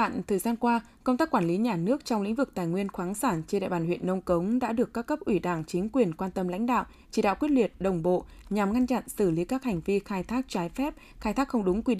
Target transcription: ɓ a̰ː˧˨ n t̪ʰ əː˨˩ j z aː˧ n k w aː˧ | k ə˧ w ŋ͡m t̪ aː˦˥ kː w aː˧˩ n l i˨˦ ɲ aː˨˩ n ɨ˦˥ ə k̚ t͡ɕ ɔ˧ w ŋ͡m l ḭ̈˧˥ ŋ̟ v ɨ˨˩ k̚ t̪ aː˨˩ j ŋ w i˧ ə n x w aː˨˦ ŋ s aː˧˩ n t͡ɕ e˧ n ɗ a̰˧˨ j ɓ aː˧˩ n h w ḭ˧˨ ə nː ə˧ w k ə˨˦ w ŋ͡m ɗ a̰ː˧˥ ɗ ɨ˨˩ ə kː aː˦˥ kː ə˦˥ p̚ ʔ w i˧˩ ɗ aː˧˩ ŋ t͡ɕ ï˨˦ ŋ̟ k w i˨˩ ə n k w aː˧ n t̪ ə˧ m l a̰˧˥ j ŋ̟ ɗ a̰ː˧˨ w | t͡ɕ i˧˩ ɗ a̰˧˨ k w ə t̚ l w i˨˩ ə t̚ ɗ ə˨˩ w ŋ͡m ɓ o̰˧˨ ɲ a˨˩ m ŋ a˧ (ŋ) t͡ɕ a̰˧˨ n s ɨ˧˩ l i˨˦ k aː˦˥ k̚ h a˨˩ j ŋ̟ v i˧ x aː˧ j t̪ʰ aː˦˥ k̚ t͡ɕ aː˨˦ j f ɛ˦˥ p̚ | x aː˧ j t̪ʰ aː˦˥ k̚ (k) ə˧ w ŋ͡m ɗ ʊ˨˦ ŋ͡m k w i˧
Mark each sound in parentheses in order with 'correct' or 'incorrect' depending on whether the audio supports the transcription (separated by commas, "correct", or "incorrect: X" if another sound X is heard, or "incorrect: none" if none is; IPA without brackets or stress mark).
incorrect: n, incorrect: x